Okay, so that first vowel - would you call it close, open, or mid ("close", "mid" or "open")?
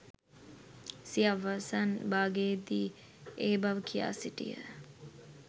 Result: close